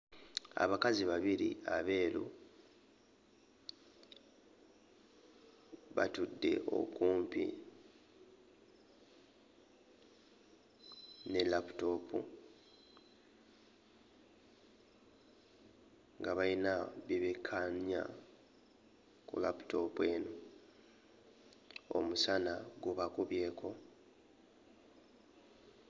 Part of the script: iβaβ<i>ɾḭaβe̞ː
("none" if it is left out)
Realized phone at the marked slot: i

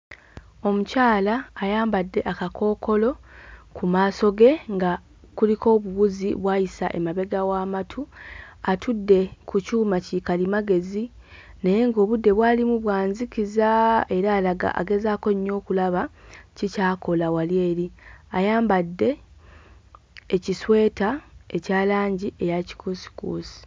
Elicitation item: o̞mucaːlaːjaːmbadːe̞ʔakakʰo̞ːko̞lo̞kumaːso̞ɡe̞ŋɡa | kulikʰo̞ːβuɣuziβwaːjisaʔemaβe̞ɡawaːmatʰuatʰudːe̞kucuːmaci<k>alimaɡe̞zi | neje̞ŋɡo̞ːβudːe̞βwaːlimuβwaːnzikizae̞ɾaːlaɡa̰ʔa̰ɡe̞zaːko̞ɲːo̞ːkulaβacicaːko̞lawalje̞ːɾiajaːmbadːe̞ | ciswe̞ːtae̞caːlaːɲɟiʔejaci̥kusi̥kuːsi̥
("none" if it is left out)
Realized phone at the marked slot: k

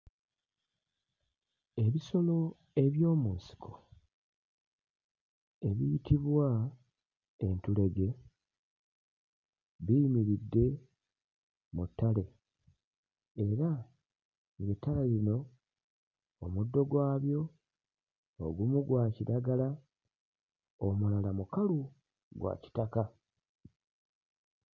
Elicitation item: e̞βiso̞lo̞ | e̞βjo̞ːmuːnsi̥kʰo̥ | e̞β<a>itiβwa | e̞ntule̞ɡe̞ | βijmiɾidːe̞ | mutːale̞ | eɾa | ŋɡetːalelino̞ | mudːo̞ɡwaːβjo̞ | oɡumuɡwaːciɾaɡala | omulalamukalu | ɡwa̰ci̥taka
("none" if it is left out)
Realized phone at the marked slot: i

